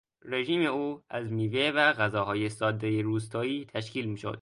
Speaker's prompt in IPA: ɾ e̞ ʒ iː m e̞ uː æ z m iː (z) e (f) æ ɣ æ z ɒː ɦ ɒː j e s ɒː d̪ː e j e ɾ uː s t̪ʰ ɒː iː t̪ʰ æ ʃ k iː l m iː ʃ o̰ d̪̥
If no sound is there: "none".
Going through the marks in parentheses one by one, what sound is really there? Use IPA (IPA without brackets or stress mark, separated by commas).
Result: v, v